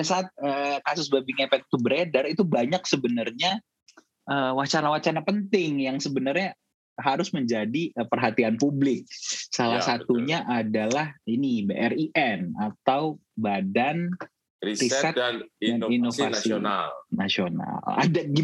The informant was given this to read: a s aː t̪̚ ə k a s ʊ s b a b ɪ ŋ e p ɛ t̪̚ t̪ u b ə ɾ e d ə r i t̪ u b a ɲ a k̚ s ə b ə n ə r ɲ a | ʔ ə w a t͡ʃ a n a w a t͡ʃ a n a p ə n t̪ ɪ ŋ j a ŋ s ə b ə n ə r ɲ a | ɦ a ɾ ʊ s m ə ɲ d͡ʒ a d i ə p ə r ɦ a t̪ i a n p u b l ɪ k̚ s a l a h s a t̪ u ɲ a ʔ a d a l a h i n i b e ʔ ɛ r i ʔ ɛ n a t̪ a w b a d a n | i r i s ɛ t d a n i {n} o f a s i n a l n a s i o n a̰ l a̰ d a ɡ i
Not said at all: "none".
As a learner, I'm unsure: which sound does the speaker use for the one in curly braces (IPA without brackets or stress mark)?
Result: n